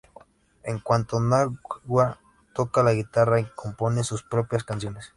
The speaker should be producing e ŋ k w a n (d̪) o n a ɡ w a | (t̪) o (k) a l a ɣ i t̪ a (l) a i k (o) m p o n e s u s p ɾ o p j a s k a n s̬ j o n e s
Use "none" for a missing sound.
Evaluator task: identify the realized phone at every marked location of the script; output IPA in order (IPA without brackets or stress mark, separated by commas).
t̪, t̪, k, r, o